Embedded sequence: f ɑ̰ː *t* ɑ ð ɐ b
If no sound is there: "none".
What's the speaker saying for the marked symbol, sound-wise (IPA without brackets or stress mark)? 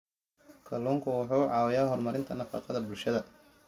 q